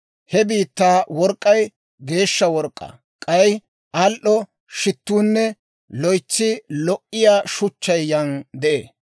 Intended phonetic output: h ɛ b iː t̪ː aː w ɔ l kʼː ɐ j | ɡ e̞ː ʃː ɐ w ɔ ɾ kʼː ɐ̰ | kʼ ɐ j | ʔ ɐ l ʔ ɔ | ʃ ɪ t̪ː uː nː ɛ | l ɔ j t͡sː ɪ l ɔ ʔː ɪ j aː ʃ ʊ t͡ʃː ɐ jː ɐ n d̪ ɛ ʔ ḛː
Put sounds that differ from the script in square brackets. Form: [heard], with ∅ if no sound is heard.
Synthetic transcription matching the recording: h ɛ b iː t̪ː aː w ɔ [ɾ] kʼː ɐ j | ɡ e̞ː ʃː ɐ w ɔ ɾ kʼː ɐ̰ | kʼ ɐ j | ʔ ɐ l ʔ ɔ | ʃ ɪ t̪ː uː nː ɛ | l ɔ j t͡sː ɪ l ɔ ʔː ɪ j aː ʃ ʊ t͡ʃː ɐ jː ɐ n d̪ ɛ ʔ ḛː